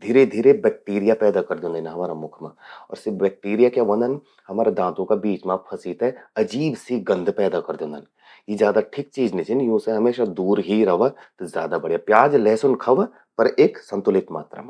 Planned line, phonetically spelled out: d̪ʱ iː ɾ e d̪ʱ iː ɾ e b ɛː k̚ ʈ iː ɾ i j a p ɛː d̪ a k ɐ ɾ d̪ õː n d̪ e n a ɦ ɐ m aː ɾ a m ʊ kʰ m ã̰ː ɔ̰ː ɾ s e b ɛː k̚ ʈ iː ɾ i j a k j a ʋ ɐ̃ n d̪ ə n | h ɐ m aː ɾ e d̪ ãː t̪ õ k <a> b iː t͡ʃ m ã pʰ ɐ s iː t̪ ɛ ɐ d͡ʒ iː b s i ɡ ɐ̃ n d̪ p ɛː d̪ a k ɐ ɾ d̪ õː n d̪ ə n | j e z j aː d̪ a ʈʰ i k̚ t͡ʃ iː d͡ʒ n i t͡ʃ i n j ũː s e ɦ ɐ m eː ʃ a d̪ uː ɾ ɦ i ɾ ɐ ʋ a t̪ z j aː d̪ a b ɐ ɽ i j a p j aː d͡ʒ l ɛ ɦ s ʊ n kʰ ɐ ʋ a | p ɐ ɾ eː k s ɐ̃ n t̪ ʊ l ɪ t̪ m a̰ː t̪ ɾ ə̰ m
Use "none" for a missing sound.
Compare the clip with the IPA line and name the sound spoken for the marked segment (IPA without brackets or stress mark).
a